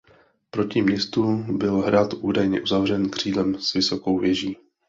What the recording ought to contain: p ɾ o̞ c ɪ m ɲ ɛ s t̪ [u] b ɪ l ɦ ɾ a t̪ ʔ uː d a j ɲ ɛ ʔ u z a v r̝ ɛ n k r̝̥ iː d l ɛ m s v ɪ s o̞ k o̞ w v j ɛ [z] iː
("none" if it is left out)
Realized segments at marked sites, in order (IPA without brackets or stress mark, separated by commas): u, ʒ